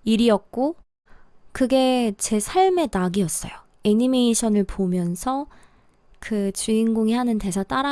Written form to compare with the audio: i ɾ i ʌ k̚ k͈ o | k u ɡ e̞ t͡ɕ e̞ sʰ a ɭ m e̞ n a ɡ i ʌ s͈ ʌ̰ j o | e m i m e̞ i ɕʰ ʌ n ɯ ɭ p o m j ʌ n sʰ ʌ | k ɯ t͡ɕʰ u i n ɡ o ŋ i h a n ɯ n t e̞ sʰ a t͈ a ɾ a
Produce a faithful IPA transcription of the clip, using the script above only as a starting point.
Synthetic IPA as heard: i ɾ i ʌ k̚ k͈ o | k ɯ ɡ e̞ t͡ɕ e̞ sʰ a ɭ m e̞ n a ɡ i ʌ s͈ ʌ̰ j o | e ɲ i m e̞ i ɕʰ ʌ n ɯ ɭ p o m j ʌ n sʰ ʌ | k ɯ t͡ɕ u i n ɡ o ŋ i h a n ɯ n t e̞ sʰ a t͈ a ɾ a

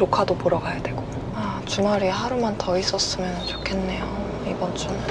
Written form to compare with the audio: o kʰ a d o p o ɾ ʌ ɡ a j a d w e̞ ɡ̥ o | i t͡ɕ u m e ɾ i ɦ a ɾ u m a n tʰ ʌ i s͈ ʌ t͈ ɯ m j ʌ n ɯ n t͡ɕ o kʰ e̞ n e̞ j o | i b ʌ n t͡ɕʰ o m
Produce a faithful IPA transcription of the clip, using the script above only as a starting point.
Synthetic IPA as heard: o kʰ a d o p o ɾ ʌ ɡ a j a d w e̞ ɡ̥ o | a t͡ɕ u m a ɾ i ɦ a ɾ u m a n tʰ ʌ i s͈ ʌ s͈ ɯ m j ʌ n ɯ n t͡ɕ o kʰ e̞ nː e̞ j o | i b ʌ n t͡ɕ o m

